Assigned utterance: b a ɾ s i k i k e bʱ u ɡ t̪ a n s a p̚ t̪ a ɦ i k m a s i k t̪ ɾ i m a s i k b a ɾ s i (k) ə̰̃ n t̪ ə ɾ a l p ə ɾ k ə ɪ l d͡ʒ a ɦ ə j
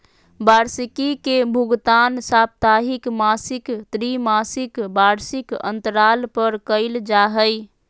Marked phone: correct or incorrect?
correct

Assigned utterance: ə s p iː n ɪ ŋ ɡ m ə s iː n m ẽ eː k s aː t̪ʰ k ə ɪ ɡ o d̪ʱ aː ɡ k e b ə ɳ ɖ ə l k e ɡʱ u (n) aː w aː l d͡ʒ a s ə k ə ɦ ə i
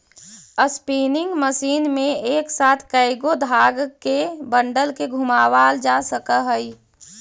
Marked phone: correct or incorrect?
incorrect: m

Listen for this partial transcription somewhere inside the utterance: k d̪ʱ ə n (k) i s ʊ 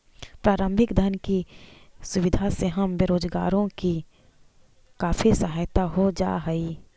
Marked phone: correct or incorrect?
correct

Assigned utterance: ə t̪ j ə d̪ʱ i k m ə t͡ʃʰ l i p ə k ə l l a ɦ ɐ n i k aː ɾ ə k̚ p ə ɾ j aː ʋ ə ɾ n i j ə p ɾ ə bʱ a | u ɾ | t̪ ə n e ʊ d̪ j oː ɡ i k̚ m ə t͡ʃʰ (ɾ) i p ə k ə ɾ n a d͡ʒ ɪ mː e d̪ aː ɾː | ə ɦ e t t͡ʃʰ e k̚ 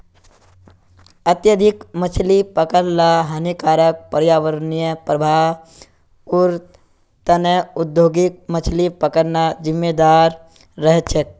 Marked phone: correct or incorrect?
incorrect: l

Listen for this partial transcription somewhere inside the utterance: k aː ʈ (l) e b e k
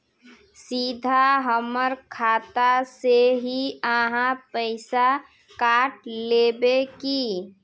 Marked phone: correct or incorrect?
correct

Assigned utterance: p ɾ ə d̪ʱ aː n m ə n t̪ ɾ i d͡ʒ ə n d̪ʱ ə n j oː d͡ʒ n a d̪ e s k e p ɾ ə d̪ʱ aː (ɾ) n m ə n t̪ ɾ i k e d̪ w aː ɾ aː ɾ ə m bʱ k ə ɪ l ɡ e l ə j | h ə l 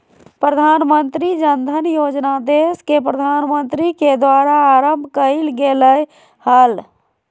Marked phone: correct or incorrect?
incorrect: none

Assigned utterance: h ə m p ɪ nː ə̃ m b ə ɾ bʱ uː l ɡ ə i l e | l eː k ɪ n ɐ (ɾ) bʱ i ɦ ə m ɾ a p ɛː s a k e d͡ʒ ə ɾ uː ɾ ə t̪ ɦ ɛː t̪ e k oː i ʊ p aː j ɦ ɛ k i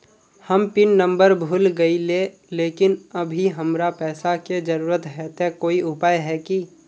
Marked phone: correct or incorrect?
incorrect: none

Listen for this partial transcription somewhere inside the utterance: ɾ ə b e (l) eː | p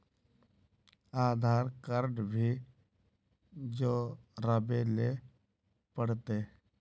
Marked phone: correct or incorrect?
correct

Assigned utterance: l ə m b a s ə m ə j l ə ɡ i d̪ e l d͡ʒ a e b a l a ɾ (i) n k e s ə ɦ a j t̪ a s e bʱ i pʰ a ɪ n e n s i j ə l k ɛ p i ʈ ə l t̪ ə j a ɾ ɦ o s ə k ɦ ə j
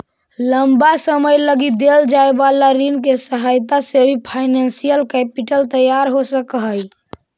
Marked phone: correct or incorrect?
correct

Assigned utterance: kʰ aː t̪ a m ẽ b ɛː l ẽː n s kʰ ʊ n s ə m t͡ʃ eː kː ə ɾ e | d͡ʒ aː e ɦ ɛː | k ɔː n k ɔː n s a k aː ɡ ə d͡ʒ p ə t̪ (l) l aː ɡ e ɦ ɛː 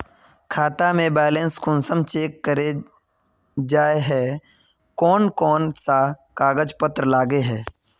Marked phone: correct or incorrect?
incorrect: ɾ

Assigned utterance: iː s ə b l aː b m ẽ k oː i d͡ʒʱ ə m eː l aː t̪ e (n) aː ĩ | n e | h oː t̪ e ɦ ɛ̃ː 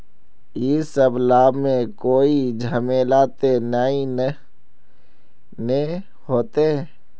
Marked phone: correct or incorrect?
correct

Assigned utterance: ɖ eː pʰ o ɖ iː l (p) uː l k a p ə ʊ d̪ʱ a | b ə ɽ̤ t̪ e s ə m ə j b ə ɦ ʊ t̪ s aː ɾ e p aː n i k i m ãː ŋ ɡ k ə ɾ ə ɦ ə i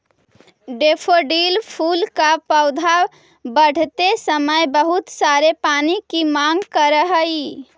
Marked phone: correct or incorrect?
incorrect: pʰ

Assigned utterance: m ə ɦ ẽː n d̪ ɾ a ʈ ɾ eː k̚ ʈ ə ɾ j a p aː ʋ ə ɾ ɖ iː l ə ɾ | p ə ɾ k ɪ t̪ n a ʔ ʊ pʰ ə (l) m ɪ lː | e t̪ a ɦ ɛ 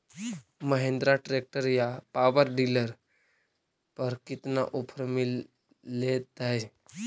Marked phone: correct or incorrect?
incorrect: ɾ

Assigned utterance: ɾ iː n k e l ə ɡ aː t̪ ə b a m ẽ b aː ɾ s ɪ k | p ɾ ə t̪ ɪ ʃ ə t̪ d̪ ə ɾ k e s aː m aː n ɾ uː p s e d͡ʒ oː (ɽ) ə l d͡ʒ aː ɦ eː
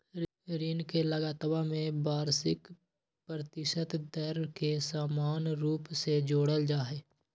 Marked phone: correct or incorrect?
correct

